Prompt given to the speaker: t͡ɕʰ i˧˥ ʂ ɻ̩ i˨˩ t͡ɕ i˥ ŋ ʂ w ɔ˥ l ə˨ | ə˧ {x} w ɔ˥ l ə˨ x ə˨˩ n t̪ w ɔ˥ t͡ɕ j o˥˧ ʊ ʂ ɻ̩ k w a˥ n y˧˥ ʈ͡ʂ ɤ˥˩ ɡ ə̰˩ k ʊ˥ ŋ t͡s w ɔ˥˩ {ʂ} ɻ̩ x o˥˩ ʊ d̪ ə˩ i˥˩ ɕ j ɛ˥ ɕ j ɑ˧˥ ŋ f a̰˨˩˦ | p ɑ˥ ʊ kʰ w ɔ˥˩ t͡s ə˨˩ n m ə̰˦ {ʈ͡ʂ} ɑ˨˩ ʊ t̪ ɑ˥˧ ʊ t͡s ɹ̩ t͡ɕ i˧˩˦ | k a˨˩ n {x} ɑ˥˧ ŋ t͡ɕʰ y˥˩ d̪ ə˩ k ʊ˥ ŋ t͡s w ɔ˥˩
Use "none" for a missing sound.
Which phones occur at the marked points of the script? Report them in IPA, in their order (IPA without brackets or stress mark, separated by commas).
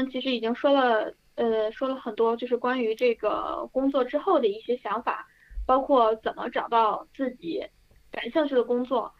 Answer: ʂ, ʈ͡ʂ, ʈ͡ʂ, ɕ